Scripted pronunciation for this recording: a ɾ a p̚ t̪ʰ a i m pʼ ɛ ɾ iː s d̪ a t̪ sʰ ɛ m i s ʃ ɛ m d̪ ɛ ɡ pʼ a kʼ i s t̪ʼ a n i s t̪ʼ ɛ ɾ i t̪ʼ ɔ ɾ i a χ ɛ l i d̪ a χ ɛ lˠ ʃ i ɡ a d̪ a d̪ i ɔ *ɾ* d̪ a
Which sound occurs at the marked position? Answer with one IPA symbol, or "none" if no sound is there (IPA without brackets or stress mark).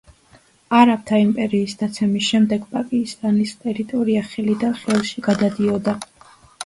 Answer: none